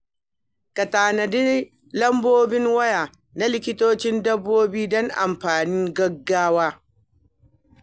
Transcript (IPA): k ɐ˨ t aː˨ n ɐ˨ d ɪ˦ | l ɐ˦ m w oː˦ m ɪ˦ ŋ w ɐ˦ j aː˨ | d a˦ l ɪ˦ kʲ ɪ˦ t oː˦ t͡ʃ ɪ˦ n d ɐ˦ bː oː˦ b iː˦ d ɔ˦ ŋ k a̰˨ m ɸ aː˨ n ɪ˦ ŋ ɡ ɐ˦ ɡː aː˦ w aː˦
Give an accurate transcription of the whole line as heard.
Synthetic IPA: k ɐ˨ t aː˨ n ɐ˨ d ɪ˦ | l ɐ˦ m b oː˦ b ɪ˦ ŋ w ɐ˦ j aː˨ | n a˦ l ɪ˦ kʲ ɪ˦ t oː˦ t͡ʃ ɪ˦ n d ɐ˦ bː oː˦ b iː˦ d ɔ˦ ŋ ʔ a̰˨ m ɸ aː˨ n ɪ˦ ŋ ɡ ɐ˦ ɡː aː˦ w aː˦